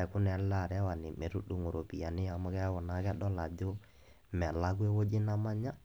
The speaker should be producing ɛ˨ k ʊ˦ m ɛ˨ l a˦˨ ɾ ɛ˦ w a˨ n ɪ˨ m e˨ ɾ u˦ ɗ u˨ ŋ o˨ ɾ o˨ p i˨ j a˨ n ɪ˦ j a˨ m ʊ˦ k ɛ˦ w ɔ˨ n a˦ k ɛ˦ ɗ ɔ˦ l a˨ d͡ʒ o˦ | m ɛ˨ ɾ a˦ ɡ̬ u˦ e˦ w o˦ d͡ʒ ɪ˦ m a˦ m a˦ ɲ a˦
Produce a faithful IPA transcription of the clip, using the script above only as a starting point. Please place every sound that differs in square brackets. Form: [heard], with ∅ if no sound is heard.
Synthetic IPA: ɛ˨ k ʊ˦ [n] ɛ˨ l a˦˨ ɾ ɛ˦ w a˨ n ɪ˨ m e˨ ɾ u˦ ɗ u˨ ŋ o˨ ɾ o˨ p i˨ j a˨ n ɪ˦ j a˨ m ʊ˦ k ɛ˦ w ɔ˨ n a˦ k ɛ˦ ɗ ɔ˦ l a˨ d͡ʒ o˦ | m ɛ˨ [l] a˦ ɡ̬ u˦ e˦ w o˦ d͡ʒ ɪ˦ [n] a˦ m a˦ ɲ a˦